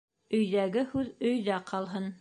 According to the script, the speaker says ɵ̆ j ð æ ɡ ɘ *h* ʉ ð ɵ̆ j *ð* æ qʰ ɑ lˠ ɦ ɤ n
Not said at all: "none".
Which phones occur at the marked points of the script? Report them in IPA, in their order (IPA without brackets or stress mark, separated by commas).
h, ð